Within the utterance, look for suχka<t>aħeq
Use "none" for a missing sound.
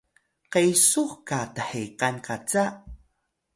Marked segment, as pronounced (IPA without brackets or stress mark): t